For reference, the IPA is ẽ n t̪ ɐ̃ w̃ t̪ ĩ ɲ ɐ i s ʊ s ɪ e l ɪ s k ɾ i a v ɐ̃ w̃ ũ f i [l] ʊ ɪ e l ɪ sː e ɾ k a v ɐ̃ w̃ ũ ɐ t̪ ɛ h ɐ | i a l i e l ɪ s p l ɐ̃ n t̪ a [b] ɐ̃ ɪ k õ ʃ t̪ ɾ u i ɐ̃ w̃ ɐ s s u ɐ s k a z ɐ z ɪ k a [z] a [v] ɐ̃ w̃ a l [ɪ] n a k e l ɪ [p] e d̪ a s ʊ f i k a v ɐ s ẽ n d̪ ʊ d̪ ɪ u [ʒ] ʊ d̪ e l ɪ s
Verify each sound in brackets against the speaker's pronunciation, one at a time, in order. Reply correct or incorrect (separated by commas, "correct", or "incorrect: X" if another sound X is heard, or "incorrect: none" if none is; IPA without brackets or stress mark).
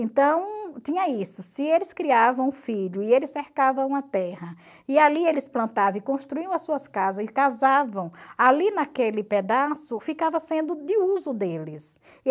incorrect: ʎ, incorrect: v, correct, correct, incorrect: i, correct, incorrect: z